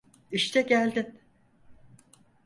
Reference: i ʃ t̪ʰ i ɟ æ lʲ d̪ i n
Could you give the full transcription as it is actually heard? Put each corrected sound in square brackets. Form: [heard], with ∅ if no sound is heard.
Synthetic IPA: i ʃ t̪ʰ [ɛ] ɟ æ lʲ d̪ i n